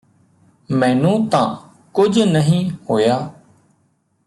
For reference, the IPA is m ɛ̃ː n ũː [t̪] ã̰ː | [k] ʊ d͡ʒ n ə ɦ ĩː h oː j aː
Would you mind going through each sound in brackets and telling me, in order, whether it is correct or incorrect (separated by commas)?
correct, correct